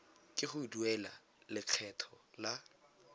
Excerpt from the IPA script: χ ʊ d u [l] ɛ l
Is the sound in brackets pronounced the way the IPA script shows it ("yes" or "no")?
no